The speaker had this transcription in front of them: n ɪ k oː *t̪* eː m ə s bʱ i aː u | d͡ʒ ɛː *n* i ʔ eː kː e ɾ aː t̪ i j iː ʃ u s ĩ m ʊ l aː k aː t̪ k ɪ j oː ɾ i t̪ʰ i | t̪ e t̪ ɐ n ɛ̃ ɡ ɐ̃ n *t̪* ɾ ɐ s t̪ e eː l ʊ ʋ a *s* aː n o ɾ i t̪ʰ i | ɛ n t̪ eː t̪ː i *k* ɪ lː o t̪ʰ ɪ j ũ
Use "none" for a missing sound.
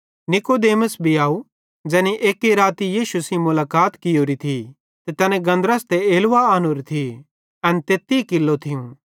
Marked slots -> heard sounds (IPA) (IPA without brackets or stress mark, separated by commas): d̪, n, d̪, none, k